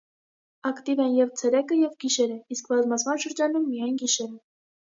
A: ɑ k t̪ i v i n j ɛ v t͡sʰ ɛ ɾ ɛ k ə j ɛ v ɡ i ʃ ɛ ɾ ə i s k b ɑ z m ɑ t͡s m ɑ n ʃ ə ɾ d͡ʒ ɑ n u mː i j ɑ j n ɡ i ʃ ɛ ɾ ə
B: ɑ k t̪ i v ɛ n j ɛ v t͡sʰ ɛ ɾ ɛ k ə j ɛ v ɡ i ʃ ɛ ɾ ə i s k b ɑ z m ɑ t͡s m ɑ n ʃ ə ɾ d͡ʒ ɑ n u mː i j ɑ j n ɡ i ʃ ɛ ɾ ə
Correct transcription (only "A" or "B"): B